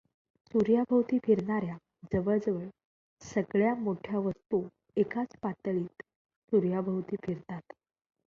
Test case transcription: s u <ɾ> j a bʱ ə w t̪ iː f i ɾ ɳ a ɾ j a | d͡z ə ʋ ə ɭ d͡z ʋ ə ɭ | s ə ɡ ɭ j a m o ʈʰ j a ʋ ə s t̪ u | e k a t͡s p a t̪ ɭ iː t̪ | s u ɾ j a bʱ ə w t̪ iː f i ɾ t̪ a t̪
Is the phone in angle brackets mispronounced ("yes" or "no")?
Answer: no